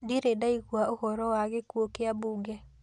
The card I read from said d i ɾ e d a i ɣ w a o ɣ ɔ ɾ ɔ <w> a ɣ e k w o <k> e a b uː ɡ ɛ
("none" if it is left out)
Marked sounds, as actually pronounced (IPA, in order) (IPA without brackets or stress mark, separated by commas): w, k